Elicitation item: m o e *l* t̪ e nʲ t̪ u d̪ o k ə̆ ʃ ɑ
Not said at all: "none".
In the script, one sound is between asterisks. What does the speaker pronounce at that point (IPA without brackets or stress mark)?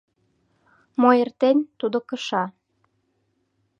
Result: r